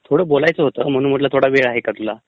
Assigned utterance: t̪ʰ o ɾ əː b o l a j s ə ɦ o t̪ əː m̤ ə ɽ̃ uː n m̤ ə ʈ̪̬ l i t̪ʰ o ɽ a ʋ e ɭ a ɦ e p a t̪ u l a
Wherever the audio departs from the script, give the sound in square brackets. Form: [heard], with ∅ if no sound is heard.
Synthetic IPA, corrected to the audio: t̪ʰ o [ɽ] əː b o l a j [t͡s] ə ɦ o t̪ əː m̤ ə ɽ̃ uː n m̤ ə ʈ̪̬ l [a] t̪ʰ o ɽ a ʋ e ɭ a ɦ e [k] a t̪ u l a